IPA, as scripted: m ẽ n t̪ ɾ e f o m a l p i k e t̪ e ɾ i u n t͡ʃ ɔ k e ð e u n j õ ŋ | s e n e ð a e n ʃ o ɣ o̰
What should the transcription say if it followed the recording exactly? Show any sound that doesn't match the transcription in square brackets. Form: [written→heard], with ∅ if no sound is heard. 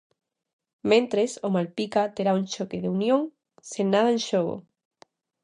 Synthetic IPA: m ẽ n t̪ ɾ e [f→s] o m a l p i k [e→a] t̪ e ɾ [i→a] u n t͡ʃ [ɔ→o] k e ð e u n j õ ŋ | s e n [e→a] ð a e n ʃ o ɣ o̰